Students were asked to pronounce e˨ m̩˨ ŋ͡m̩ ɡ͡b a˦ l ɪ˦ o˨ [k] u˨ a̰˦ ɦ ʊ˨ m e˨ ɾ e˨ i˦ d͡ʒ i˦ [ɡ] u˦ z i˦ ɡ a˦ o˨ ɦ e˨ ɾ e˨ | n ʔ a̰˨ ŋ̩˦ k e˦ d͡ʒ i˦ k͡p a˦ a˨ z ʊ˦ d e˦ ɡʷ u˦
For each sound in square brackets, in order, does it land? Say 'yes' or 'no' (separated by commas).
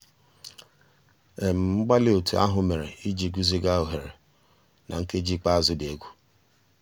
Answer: no, yes